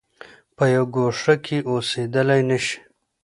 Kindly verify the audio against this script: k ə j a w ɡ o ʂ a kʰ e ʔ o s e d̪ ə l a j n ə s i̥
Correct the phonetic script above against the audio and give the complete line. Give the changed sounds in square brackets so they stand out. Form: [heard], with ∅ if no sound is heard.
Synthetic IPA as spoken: [p] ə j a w ɡ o ʂ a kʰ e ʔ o s e d̪ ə l a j n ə [ʃ] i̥